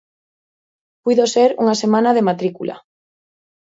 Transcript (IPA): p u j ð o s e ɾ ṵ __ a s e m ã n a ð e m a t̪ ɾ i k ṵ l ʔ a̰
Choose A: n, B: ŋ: B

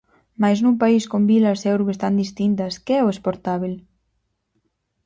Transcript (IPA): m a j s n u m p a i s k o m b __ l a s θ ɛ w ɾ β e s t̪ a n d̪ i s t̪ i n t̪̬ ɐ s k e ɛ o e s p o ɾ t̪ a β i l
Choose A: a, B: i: B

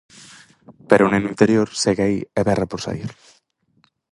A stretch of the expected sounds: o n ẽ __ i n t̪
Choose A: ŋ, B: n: B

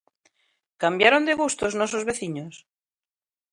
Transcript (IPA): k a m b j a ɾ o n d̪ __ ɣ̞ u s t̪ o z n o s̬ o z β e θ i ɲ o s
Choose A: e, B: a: A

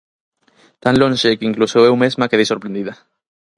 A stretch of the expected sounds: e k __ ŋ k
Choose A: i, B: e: A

